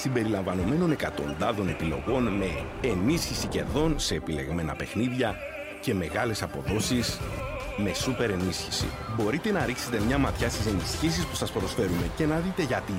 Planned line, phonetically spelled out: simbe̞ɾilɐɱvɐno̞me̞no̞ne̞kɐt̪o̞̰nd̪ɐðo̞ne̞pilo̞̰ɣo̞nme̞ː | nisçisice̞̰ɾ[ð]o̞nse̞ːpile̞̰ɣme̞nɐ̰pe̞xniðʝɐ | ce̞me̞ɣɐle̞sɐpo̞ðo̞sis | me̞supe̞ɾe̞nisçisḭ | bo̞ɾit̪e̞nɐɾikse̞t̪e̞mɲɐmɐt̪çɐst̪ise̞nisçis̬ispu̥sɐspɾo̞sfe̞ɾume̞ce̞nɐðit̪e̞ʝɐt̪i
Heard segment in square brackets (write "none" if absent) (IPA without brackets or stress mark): ð